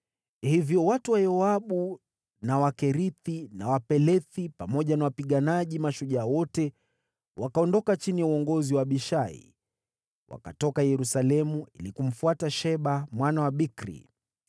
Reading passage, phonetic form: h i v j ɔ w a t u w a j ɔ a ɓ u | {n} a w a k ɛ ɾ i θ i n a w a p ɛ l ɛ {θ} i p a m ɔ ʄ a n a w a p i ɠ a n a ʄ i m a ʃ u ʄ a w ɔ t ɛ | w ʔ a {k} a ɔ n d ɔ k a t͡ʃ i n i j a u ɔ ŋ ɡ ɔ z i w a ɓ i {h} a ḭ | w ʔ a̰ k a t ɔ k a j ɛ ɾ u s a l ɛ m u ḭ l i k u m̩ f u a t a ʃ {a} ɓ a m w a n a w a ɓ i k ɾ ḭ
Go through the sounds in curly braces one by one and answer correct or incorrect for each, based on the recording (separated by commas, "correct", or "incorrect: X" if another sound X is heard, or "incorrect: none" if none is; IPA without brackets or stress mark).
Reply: correct, correct, correct, incorrect: ʃ, incorrect: ɛ